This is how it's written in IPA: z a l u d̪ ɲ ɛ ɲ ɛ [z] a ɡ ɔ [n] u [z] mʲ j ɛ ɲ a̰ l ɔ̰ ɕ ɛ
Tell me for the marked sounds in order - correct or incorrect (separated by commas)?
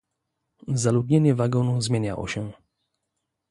incorrect, correct, correct